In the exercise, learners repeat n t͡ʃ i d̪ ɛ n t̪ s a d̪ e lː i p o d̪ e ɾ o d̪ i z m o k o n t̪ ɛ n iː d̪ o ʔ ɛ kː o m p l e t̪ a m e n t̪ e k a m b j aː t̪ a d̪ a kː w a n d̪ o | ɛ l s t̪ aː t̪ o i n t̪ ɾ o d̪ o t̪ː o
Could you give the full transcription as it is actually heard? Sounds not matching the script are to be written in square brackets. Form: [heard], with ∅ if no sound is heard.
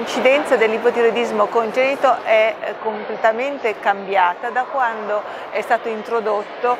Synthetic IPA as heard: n t͡ʃ i d̪ ɛ n t̪ s a d̪ e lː i p o [t̪] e ɾ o d̪ i z m o k o n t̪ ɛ n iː [t̪] o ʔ ɛ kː o m p l e t̪ a m e n t̪ e k a m b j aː t̪ a d̪ a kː w a n d̪ o | ɛ [∅] s t̪ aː t̪ o i n t̪ ɾ o d̪ o t̪ː o

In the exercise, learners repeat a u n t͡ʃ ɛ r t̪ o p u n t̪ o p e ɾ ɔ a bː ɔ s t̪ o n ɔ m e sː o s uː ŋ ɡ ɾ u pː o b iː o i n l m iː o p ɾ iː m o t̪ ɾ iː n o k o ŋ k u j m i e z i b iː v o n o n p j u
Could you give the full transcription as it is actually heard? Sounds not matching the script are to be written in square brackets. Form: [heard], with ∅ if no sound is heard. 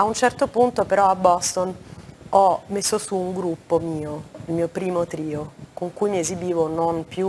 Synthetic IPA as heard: a u n t͡ʃ ɛ r t̪ o p u n t̪ o p e ɾ ɔ a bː ɔ s t̪ o n ɔ m e sː o s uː ŋ ɡ ɾ u pː o [m] iː o i [∅] l m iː o p ɾ iː m o t̪ ɾ iː [∅] o k o ŋ k u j m i e z i b iː v o n o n p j u

